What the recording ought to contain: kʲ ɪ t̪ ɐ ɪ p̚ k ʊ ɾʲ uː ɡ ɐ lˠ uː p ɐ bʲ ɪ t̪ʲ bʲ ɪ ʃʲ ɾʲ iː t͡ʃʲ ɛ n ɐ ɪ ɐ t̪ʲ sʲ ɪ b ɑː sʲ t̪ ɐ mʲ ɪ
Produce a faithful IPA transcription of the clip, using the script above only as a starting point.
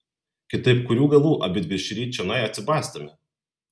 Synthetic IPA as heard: kʲ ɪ t̪ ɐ ɪ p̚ k ʊ ɾʲ uː ɡ ɐ lˠ uː ʔ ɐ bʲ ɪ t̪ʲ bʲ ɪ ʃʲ ɾʲ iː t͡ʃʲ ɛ n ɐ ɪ ɐ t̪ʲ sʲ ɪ b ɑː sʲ t̪ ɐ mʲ ɪ